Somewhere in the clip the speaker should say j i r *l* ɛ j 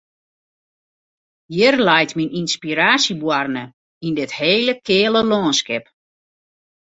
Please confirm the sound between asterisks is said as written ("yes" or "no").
yes